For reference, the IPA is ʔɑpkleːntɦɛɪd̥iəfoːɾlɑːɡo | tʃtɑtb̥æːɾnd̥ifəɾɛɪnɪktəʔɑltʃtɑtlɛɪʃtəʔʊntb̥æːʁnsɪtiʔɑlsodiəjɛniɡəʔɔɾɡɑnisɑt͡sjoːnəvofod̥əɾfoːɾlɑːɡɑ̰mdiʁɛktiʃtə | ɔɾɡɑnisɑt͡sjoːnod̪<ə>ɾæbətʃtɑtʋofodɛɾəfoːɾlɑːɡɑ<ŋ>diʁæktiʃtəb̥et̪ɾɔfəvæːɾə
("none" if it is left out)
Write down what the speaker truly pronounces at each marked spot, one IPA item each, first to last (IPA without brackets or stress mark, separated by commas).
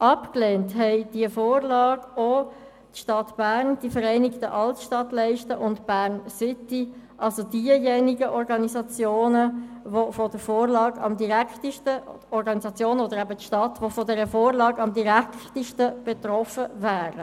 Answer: ə, m